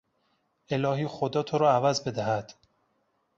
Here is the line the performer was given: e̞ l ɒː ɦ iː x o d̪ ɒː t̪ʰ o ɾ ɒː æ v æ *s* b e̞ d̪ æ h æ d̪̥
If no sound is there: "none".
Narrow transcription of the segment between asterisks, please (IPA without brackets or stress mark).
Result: z